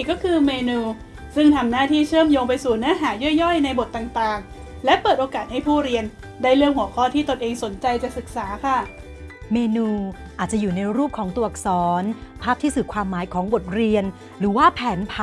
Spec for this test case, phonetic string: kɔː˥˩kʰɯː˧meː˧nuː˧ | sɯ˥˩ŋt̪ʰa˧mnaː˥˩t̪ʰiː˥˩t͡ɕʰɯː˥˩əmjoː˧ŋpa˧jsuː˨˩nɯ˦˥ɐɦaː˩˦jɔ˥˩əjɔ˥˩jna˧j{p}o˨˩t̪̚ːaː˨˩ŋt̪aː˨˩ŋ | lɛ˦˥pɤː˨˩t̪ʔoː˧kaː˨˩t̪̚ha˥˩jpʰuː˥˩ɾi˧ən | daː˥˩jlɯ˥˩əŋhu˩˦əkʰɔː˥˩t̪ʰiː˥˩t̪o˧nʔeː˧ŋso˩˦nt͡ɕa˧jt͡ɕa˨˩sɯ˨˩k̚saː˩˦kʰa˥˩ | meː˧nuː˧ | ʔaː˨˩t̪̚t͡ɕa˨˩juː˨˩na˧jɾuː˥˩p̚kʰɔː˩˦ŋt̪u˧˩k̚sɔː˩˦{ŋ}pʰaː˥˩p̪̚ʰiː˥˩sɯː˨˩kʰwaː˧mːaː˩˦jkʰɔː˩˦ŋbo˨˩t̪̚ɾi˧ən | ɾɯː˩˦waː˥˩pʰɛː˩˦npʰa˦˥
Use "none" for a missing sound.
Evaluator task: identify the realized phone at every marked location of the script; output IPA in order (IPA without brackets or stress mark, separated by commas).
b, n